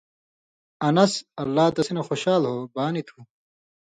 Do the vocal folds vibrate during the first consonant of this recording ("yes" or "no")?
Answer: yes